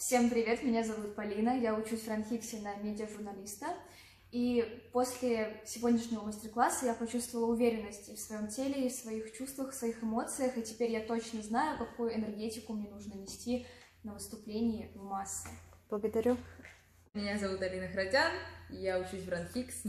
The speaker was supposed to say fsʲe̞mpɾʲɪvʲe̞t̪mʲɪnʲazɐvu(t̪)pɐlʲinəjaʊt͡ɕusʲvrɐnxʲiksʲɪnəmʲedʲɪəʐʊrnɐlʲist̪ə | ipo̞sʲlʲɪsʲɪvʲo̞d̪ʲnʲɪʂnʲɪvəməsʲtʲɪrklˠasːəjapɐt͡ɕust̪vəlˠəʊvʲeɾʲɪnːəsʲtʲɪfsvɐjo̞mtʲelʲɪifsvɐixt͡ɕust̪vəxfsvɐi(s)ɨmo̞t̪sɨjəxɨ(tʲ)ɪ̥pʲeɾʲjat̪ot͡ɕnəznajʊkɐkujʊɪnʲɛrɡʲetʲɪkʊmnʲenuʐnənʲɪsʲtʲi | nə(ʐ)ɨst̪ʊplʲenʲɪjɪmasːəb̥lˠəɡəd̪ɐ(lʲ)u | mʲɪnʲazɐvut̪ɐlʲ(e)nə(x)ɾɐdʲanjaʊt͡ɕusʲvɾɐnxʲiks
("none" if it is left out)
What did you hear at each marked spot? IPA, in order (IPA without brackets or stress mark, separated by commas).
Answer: t̪, x, tʲ, v, ɾʲ, i, x